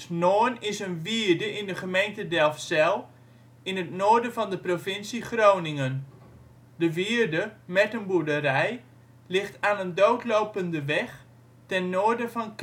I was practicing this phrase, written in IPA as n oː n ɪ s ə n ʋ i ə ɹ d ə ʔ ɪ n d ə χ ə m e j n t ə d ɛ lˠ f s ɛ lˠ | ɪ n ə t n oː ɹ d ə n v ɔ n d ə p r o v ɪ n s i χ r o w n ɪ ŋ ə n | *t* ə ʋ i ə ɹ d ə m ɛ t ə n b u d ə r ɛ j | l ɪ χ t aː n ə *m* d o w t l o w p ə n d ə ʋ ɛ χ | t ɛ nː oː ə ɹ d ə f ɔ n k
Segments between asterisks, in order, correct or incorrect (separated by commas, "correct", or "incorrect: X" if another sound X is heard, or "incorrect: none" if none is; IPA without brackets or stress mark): incorrect: d, incorrect: n